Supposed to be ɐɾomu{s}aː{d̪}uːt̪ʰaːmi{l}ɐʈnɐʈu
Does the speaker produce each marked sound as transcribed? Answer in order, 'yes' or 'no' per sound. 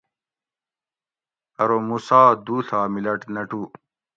yes, yes, yes

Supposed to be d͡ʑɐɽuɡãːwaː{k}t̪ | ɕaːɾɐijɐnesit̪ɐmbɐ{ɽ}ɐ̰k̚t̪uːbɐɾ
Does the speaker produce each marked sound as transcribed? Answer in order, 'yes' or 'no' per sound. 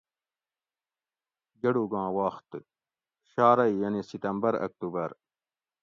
no, no

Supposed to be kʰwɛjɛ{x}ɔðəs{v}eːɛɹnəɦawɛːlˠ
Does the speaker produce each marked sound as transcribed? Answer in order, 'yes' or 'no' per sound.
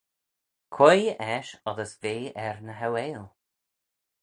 no, yes

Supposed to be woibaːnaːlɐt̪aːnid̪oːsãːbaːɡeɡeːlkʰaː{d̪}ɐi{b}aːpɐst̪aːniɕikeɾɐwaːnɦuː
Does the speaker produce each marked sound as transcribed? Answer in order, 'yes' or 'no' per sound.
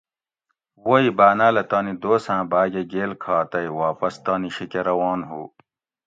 no, no

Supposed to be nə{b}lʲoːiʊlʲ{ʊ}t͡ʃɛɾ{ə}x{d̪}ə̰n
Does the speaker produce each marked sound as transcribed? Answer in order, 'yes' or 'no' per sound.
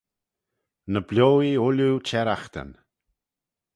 yes, no, no, no

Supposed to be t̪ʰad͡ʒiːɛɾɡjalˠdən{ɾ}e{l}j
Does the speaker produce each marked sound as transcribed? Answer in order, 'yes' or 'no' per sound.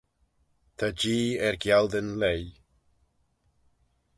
no, no

